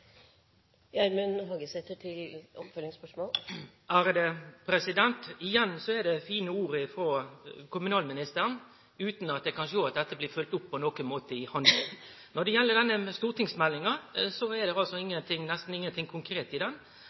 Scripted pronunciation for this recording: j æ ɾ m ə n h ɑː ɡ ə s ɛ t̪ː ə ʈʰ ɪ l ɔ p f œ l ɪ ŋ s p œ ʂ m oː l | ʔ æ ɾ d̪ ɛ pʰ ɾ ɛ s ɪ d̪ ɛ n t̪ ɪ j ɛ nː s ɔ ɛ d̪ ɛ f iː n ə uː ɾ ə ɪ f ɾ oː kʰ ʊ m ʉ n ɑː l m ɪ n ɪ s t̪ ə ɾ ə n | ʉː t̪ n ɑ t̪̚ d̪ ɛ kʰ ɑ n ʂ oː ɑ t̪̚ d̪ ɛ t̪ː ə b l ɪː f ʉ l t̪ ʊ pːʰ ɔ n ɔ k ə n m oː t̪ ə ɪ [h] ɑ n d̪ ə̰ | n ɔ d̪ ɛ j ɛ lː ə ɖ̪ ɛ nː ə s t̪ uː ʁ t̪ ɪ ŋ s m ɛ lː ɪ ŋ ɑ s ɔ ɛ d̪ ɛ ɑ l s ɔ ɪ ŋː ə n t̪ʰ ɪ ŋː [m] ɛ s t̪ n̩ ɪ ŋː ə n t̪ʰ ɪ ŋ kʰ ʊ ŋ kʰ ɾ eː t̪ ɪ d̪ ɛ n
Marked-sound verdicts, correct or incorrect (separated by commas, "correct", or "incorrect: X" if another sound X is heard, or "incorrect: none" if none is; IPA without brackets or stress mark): correct, incorrect: n